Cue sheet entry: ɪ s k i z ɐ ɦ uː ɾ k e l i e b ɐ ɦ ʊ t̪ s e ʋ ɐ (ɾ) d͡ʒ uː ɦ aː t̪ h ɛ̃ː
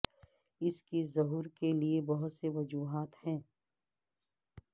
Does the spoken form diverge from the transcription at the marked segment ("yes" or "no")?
yes